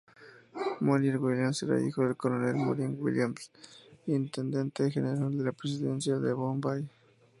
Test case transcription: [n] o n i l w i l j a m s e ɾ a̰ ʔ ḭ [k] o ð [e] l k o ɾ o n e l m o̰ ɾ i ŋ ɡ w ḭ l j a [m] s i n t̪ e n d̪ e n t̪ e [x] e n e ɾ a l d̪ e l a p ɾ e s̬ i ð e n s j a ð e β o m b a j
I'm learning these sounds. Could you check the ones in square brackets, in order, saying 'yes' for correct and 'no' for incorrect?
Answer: no, no, yes, yes, yes

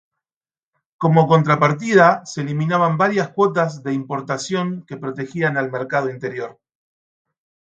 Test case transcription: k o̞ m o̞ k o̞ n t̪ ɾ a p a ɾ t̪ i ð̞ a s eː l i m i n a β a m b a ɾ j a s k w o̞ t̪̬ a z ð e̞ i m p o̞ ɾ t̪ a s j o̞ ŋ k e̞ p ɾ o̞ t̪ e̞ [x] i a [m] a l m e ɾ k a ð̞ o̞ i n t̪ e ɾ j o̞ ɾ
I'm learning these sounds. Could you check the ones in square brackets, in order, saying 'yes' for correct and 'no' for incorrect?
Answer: yes, no

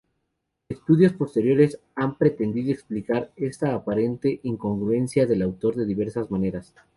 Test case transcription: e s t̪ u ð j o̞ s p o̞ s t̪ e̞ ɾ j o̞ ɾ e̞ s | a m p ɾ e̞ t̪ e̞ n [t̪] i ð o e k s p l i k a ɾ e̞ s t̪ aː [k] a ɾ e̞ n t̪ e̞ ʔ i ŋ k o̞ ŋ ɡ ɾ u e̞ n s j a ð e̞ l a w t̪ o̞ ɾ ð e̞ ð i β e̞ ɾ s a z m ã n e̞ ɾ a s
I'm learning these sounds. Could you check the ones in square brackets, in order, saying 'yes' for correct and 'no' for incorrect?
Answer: no, no

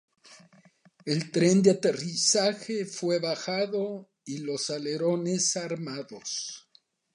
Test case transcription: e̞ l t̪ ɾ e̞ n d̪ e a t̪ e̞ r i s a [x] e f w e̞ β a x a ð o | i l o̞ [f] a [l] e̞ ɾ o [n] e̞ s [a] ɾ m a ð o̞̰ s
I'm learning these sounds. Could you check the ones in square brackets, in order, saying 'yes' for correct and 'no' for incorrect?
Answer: yes, no, yes, yes, yes

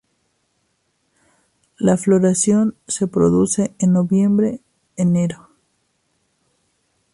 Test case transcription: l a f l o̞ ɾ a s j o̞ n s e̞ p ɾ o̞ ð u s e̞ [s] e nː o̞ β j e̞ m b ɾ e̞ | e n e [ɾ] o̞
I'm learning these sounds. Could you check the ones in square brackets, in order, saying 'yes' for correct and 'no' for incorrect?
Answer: no, yes

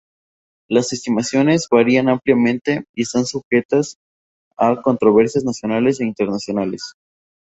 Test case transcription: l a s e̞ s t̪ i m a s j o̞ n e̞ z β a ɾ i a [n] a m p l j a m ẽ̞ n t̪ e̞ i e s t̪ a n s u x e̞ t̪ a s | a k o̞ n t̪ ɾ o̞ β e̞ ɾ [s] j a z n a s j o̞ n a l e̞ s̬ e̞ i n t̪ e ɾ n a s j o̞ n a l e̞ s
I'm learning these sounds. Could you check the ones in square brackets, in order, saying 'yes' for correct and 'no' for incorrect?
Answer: yes, yes

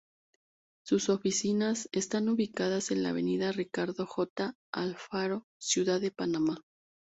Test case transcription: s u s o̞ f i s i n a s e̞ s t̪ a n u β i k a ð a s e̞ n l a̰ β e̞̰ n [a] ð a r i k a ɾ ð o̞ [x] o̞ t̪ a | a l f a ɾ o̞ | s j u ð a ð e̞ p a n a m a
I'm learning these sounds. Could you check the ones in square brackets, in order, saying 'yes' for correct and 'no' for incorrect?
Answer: no, yes

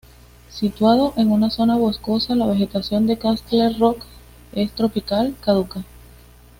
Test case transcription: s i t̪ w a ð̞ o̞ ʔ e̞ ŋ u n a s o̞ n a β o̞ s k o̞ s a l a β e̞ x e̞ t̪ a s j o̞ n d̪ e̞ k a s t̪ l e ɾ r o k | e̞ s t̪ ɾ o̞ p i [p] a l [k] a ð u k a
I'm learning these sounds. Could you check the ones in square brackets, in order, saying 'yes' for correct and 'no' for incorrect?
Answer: no, yes

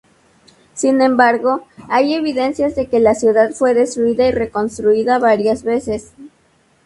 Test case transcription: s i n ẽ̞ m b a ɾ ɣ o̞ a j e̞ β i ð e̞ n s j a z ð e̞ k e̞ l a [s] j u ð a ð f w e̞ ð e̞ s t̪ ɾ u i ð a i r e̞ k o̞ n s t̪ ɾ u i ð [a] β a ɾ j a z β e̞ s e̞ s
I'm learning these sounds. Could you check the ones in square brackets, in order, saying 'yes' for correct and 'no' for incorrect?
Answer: yes, yes

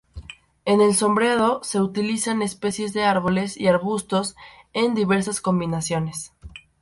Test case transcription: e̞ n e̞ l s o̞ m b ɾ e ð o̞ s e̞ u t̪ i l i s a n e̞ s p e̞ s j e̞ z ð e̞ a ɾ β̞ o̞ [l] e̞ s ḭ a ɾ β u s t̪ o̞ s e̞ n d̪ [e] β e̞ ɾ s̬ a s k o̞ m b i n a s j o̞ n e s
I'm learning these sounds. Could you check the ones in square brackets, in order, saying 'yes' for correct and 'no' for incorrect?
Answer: yes, no

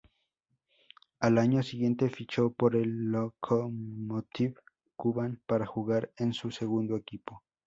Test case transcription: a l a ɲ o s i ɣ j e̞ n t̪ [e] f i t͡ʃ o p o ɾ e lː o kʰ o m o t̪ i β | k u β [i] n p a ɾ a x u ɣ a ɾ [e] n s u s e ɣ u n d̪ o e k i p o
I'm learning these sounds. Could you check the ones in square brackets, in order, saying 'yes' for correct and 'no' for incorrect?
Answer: yes, no, yes

